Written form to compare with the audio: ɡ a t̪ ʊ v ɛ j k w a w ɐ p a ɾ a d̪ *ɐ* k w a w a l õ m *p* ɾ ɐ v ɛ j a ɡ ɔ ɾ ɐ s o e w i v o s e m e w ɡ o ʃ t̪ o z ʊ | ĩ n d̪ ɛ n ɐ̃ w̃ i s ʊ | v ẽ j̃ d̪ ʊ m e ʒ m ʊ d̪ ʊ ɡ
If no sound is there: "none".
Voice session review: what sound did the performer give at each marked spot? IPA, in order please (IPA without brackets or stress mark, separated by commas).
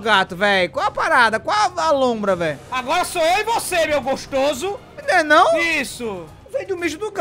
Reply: ɐ, b